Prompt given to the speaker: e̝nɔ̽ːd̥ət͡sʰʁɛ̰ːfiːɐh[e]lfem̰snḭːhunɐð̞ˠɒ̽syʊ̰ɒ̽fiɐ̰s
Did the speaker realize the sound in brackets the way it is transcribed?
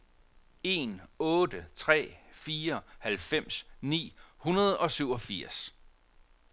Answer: no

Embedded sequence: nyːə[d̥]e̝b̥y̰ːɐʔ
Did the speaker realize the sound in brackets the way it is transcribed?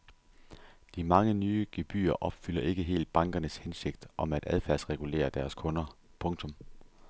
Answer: no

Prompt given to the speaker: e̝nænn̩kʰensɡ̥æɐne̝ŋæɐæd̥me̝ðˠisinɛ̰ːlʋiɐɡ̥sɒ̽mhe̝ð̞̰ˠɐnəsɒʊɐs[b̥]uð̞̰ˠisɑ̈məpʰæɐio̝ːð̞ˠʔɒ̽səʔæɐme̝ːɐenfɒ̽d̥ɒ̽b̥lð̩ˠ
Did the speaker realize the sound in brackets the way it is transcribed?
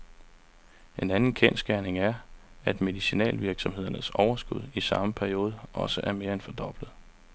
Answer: no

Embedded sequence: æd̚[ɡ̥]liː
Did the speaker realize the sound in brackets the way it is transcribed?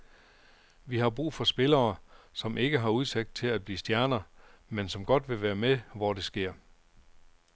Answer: no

